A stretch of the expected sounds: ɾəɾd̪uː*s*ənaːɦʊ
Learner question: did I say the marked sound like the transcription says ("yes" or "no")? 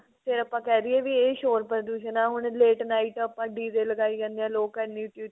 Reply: no